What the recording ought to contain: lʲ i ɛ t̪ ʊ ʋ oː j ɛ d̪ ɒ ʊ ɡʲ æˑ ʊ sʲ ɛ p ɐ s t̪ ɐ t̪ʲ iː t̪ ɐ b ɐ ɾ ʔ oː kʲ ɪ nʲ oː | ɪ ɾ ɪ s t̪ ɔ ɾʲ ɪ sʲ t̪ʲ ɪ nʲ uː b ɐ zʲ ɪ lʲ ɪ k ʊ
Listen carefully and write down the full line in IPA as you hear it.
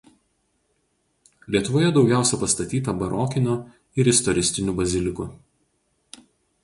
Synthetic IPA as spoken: lʲ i ɛ t̪ ʊ ʋ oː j ɛ d̪ ɒ ʊ ɡʲ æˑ ʊ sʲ ɛ p ɐ s t̪ ɐ t̪ʲ iː t̪ ɐ b ɐ ɾ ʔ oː kʲ ɪ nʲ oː | ɪ ɾ ɪ s t̪ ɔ ɾʲ ɪ sʲ t̪ʲ ɪ nʲ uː b ɐ zʲ ɪ lʲ ɪ k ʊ

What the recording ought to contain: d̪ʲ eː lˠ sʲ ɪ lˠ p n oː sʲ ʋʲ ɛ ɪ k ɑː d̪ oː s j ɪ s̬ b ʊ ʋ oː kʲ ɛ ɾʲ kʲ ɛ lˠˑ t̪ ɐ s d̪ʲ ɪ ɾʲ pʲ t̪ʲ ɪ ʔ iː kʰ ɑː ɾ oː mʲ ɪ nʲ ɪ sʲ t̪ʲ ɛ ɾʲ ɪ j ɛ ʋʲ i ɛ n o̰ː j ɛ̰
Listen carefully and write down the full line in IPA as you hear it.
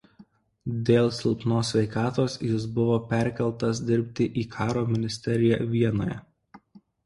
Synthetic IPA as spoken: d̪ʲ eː lˠ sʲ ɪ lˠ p n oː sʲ ʋʲ ɛ ɪ k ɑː t̪ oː s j ɪ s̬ b ʊ ʋ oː pʲ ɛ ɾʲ kʲ ɛ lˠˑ t̪ ɐ s d̪ʲ ɪ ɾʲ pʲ t̪ʲ ɪ ʔ iː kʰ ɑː ɾ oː mʲ ɪ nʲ ɪ sʲ t̪ʲ ɛ ɾʲ ɪ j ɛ ʋʲ i ɛ n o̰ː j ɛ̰

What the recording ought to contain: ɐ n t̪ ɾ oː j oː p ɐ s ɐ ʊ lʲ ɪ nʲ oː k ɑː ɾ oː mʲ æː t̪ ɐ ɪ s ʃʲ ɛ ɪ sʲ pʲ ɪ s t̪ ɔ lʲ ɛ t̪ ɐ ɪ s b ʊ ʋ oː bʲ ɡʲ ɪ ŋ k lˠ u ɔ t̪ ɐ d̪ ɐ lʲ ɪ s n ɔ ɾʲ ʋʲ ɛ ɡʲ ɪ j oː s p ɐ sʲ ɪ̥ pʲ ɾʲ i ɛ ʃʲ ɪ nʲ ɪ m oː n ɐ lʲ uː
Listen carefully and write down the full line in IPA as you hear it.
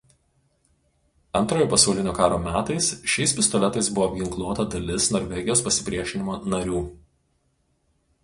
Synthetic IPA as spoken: ɐ n t̪ ɾ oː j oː p ɐ s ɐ ʊ lʲ ɪ nʲ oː k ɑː ɾ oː mʲ æː t̪ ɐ ɪ s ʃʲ ɛ ɪ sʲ pʲ ɪ s t̪ ɔ lʲ ɛ t̪ ɐ ɪ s b ʊ ʋ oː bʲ ɡʲ ɪ ŋ k lˠ u ɔ t̪ ɐ d̪ ɐ lʲ ɪ s n ɔ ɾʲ ʋʲ ɛ ɡʲ ɪ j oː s p ɐ sʲ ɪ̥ pʲ ɾʲ i ɛ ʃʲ ɪ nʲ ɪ m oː n ɐ ɾʲ uː

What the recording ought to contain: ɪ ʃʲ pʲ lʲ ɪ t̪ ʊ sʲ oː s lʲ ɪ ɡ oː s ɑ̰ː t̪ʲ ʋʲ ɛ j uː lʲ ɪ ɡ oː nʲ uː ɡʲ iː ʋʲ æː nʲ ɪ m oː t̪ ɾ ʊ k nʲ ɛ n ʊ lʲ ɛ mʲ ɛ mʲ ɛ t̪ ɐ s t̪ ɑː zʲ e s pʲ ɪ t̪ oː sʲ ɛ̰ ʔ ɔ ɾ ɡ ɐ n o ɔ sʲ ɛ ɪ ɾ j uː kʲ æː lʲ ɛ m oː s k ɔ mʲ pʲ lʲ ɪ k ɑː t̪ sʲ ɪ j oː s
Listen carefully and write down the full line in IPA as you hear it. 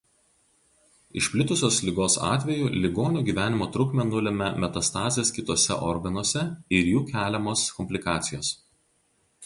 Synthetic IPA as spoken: ɪ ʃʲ pʲ lʲ ɪ t̪ ʊ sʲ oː s lʲ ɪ ɡ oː s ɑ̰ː t̪ʲ ʋʲ ɛ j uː lʲ ɪ ɡ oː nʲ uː ɡʲ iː ʋʲ æː nʲ ɪ m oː t̪ ɾ ʊ k mʲ ɛ n ʊ lʲ ɛ mʲ ɛ mʲ ɛ t̪ ɐ s t̪ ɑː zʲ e s kʲ ɪ t̪ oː sʲ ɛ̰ ʔ ɔ ɾ ɡ ɐ n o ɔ sʲ ɛ ɪ ɾ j uː kʲ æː lʲ ɛ m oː s k ɔ mʲ pʲ lʲ ɪ k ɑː t̪ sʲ ɪ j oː s

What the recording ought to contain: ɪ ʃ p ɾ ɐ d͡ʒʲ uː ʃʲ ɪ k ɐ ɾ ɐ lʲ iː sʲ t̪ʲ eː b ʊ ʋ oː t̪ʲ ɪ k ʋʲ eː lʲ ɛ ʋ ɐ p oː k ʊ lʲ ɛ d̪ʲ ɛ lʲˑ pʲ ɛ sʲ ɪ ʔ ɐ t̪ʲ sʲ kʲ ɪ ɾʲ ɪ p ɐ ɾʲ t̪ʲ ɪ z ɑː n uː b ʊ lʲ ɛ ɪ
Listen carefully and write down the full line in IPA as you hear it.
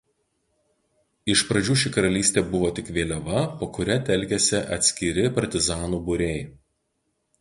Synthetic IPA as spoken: ɪ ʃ p ɾ ɐ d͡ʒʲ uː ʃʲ ɪ k ɐ ɾ ɐ lʲ iː sʲ t̪ʲ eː b ʊ ʋ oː t̪ʲ ɪ k ʋʲ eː lʲ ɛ ʋ ɐ p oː k ʊ ɾʲ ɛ t̪ʲ ɛ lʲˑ kʲ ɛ sʲ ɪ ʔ ɐ t̪ʲ sʲ kʲ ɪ ɾʲ ɪ p ɐ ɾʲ t̪ʲ ɪ z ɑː n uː b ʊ ɾʲ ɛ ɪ

